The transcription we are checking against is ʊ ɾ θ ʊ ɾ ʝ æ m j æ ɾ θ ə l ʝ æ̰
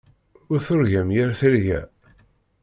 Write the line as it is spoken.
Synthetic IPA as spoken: ʊ ɾ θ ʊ ɾ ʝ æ m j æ ɾ θ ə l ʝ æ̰

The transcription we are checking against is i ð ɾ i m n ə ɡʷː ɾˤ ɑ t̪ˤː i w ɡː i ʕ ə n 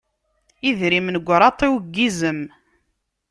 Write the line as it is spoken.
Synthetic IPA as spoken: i ð ɾ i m n ə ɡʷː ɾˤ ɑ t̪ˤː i w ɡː i z ə m

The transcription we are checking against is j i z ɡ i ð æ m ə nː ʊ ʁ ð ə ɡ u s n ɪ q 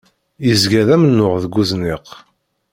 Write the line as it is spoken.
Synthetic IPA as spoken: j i z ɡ æ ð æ m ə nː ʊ ʁ ð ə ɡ u z n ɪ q

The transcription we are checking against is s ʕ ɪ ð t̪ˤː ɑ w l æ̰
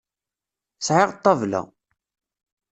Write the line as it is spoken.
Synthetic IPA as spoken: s ʕ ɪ ʁ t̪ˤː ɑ v l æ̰

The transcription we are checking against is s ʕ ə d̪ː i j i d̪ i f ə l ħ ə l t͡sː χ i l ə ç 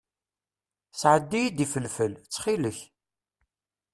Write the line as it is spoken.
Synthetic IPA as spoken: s ʕ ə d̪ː i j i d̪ i f ə l f ə l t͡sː χ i l ə ç

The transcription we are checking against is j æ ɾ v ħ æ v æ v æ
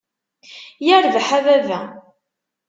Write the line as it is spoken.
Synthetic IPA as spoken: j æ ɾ v ħ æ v æ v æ

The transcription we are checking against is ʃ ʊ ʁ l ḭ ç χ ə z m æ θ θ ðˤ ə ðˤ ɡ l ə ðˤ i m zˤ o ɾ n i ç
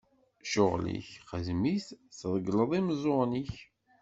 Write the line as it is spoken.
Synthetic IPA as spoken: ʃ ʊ ʁ l ḭ ç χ ə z m i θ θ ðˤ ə ɡ l ə ðˤ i m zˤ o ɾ n i ç

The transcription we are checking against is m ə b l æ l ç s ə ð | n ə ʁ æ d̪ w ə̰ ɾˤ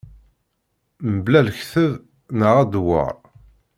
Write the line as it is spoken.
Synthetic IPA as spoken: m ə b l æ l ç θ ə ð | n ə ʁ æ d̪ w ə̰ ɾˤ

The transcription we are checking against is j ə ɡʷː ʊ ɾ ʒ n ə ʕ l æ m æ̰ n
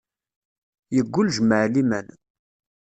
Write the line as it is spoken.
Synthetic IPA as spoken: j ə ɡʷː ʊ l ʒ m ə ʕ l i m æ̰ n

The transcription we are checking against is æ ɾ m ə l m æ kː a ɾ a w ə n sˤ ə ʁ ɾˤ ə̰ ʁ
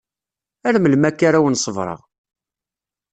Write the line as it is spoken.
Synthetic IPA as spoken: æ ɾ m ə l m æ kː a ɾ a w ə n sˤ ə v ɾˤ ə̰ ʁ

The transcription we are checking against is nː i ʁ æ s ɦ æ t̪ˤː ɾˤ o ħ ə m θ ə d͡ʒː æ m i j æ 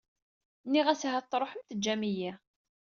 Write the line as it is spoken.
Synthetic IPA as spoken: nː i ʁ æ s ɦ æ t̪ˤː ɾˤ o ħ ə m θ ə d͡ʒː æ m i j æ

